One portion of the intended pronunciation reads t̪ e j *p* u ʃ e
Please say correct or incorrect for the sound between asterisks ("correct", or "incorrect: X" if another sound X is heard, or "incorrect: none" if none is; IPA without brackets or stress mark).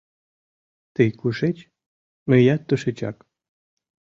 incorrect: k